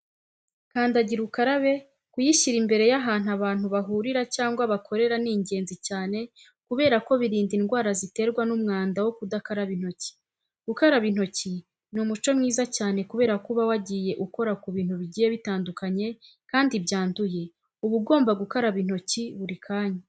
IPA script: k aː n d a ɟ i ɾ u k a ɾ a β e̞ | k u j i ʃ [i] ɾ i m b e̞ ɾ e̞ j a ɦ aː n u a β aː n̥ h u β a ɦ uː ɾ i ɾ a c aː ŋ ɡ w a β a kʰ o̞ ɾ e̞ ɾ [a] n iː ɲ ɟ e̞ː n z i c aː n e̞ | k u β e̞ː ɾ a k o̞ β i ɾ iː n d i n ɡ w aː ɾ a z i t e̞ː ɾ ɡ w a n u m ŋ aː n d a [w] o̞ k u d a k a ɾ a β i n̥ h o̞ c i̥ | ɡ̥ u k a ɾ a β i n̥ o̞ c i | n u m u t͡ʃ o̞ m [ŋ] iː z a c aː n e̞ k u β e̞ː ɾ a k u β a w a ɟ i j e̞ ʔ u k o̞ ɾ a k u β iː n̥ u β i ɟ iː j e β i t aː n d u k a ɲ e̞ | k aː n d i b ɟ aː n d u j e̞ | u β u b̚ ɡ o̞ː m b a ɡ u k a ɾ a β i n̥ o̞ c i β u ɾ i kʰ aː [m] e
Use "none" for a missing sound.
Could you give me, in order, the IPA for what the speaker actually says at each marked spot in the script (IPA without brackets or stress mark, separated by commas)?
i, a, w, ŋ, ɲ